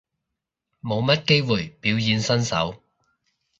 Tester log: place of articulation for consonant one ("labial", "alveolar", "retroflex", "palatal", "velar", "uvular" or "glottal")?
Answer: labial